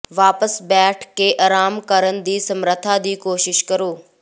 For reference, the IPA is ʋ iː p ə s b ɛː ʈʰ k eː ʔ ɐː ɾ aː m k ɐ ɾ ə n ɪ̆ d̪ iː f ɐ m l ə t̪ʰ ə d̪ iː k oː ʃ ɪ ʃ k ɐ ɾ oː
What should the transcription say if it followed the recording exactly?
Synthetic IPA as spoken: ʋ aː p ə s b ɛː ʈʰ k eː ʔ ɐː ɾ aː m k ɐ ɾ ə n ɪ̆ d̪ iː s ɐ m ɾ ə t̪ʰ a d̪ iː k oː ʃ ɪ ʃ k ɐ ɾ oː